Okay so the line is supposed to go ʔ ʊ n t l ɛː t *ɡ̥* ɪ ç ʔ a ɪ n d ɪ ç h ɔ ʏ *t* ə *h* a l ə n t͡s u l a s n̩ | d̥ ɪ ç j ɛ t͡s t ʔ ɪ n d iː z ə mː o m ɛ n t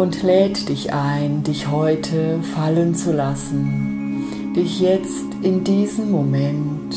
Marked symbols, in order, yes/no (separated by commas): no, no, no